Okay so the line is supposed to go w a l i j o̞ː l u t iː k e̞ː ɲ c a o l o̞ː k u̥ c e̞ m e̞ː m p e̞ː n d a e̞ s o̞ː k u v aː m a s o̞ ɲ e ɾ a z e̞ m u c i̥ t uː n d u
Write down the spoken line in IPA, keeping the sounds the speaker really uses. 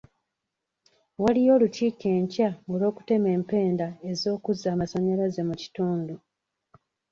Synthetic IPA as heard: w a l i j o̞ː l u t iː k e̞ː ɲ c a o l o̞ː k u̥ t e̞ m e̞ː m p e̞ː n d a e̞ z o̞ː k u z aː m a s o̞ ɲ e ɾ a z e̞ m u c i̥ t uː n d u